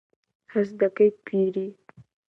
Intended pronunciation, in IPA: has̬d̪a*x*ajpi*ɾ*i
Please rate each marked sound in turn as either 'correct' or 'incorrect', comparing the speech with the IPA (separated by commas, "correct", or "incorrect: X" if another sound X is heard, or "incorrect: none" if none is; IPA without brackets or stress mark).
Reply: incorrect: k, correct